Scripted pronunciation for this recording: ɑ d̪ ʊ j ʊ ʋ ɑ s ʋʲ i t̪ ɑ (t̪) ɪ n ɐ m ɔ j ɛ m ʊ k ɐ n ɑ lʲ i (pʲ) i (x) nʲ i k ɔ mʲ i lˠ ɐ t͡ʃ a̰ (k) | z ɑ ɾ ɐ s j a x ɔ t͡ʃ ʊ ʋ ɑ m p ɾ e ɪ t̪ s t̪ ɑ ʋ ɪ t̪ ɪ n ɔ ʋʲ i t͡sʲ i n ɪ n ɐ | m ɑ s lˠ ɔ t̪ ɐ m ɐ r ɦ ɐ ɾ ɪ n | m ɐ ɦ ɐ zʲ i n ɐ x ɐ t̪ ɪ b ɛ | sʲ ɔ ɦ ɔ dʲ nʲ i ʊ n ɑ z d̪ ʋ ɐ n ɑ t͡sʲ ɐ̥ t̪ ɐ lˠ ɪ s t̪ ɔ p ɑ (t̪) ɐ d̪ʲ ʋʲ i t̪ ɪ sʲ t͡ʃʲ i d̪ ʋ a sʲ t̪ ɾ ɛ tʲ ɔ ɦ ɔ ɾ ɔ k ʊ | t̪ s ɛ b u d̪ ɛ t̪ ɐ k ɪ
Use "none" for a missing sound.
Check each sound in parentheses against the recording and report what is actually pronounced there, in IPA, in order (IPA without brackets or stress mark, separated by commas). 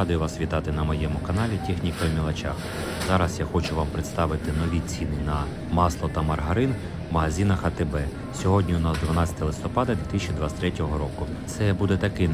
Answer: t̪, tʲ, x, x, d̪